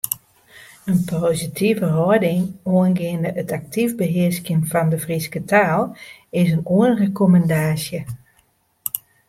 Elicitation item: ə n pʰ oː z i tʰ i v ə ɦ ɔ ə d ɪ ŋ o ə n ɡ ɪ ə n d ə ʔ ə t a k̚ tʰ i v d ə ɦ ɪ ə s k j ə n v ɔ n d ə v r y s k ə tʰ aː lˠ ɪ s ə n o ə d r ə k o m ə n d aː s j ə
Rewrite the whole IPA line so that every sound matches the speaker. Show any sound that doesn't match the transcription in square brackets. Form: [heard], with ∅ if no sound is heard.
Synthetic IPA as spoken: ə n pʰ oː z i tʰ i v ə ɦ ɔ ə d ɪ ŋ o ə n ɡ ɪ ə n d ə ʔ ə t a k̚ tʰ i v [b] ə ɦ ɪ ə s k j ə n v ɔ n d ə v r [i] s k ə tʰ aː lˠ ɪ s ə n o ə [n] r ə k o m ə n d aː s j ə